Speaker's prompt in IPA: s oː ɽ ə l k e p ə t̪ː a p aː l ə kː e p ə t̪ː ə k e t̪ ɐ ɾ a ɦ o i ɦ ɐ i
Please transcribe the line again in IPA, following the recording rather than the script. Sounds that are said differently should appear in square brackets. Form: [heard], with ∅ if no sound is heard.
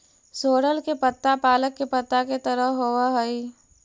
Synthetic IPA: s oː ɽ ə l k e p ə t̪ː a p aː l ə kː e p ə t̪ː [a] k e t̪ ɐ ɾ [ə] ɦ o [a] ɦ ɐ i